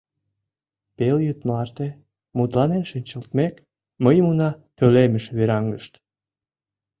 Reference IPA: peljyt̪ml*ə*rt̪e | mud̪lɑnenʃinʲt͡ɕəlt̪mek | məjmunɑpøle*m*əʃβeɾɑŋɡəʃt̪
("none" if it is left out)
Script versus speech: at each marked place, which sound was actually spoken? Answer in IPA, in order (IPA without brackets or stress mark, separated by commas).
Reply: ɑ, m